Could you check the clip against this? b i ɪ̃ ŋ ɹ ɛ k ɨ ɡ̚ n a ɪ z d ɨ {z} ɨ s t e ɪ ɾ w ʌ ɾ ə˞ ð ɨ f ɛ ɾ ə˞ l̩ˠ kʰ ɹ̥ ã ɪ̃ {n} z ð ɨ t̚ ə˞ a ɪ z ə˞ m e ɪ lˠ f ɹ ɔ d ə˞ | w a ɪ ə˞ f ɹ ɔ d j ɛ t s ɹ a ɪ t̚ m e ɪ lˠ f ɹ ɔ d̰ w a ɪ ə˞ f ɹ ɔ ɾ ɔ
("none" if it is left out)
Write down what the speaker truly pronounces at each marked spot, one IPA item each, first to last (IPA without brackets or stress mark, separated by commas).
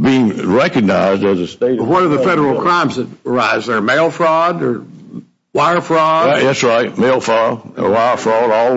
z, m